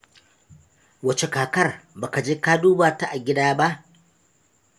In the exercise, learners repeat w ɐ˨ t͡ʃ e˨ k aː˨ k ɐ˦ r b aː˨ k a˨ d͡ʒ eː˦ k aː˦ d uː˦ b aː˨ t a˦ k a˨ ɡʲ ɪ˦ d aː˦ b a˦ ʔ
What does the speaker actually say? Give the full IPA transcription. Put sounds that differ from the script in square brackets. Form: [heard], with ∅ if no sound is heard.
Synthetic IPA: w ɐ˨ t͡ʃ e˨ k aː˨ k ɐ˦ r b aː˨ k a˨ d͡ʒ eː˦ k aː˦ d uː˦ b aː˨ t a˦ [ʔ] a˨ ɡʲ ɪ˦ d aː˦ b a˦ ʔ